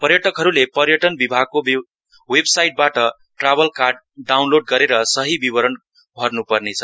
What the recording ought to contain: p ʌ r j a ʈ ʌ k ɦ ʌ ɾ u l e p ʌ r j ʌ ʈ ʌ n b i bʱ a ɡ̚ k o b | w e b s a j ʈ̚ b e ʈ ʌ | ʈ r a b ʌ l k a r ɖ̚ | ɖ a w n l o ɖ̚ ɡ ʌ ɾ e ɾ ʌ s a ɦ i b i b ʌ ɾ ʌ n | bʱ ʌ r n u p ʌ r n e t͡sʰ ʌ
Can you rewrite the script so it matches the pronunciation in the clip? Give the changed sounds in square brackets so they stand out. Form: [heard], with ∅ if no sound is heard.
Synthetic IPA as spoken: p ʌ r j [ʌ] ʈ ʌ k ɦ ʌ ɾ u l e p ʌ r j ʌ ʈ ʌ n b i bʱ a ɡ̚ k o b | w e b s a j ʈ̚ b [a] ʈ ʌ | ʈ r a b ʌ l k a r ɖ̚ | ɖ a w n l o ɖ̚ ɡ ʌ ɾ e ɾ ʌ s [ʌ] ɦ i b i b ʌ ɾ ʌ n | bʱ ʌ r n u p ʌ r n e t͡sʰ ʌ